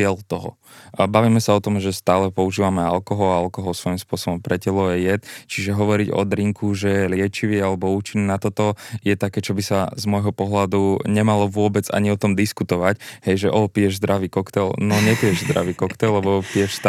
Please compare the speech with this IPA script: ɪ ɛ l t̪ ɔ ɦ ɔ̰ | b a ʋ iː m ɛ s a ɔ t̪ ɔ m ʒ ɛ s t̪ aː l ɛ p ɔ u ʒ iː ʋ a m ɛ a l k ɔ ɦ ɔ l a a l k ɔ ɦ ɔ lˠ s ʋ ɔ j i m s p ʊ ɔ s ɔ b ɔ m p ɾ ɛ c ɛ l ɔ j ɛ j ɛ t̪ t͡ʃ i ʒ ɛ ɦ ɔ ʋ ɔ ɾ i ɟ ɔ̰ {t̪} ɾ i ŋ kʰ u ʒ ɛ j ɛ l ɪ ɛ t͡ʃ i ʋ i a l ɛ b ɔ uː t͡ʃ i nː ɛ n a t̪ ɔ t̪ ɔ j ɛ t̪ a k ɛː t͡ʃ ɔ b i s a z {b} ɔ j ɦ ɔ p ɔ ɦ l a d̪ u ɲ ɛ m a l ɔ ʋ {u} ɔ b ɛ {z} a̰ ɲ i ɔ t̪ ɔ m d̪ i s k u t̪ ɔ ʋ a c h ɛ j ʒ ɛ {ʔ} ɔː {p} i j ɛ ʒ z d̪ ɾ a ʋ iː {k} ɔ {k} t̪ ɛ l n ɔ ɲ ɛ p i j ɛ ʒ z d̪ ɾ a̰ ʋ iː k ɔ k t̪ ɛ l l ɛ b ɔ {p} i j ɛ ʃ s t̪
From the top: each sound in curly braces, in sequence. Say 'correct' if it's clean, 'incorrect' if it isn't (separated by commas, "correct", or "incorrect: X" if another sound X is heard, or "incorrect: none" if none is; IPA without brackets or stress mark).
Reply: incorrect: d̪, incorrect: m, incorrect: ʊ, incorrect: d͡z, correct, correct, correct, correct, correct